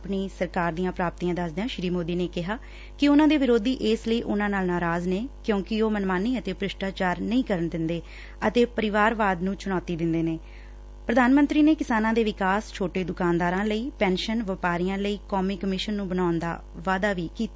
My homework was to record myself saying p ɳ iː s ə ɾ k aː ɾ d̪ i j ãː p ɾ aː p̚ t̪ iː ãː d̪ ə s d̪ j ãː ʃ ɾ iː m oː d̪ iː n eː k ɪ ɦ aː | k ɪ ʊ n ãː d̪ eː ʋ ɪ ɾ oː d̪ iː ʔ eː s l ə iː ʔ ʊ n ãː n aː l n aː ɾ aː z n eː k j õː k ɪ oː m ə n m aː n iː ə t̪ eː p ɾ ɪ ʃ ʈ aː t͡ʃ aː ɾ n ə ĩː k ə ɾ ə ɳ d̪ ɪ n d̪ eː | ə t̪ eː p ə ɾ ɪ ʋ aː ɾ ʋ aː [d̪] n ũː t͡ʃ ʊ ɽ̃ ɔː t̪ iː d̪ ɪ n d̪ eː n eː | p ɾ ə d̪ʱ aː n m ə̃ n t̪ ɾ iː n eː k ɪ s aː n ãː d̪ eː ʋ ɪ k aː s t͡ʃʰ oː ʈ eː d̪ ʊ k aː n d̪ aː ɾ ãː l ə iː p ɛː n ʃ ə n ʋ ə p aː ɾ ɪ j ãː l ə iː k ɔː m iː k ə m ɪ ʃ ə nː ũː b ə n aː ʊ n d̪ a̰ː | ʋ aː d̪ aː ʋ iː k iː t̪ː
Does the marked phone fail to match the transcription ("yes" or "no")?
no